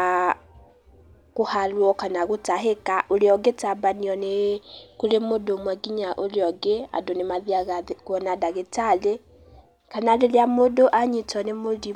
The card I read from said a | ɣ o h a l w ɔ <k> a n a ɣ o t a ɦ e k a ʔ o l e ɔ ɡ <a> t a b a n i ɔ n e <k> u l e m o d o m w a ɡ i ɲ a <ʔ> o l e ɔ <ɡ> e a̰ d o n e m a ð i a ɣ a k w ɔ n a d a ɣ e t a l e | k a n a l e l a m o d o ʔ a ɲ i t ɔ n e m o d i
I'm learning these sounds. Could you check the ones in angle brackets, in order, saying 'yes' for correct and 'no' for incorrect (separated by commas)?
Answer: yes, no, yes, yes, yes